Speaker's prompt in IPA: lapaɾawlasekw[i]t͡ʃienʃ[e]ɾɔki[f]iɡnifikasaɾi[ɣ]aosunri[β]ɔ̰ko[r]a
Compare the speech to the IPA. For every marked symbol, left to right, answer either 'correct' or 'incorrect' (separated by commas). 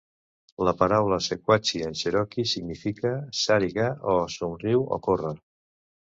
incorrect, correct, incorrect, correct, incorrect, correct